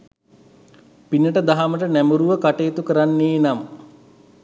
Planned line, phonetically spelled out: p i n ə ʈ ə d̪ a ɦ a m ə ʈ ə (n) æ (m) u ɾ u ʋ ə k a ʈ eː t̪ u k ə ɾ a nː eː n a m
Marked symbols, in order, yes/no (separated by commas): yes, yes